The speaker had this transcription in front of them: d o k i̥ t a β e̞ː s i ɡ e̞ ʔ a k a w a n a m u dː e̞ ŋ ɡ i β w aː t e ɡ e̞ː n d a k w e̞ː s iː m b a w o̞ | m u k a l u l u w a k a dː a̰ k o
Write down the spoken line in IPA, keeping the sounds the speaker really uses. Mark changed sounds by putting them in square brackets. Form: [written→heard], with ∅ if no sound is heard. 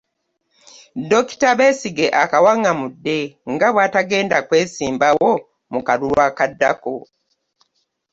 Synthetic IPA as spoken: d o k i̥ t a β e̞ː s i ɡ e̞ ʔ a k a w a [n→ŋ] a m u dː e̞ ŋ ɡ [i→a] β w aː t [e→a] ɡ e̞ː n d a k w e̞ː s iː m b a w o̞ | m u k a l u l [u→w] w a k a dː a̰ k o